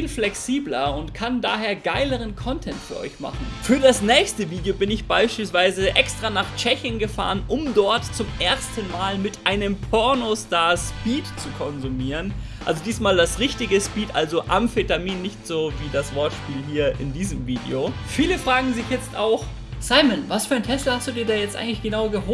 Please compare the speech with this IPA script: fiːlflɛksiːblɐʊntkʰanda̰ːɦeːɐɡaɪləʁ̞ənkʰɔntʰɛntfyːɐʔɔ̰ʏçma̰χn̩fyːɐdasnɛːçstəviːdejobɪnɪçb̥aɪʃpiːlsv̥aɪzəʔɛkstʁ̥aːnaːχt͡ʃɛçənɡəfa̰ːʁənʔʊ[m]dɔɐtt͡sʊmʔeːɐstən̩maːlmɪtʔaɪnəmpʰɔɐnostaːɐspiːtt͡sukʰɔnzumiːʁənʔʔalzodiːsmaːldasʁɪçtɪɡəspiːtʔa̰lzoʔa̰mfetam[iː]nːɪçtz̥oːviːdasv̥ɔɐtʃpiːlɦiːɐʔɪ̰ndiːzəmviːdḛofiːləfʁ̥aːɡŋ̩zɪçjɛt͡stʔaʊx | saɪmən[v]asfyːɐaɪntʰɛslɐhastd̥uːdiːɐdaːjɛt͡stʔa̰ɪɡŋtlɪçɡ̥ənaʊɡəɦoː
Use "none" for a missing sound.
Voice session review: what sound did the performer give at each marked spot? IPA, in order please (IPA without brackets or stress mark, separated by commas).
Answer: m, iː, v